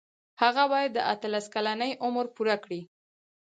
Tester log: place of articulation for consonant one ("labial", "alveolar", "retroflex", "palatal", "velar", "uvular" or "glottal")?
glottal